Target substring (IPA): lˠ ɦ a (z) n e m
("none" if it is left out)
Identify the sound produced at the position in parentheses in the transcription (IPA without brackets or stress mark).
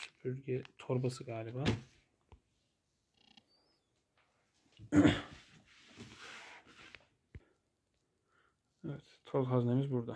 z